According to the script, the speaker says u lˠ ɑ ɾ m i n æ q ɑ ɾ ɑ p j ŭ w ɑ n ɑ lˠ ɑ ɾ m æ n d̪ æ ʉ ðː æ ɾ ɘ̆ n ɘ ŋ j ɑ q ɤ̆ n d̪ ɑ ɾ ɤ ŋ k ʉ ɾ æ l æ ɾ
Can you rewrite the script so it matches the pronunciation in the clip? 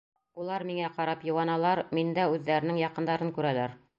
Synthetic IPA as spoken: u lˠ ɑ ɾ m i ŋ æ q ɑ ɾ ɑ p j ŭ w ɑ n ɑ lˠ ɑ ɾ m i n d̪ æ ʉ ðː æ ɾ ɘ̆ n ɘ ŋ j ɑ q ɤ̆ n d̪ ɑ ɾ ɤ ŋ k ʉ ɾ æ l æ ɾ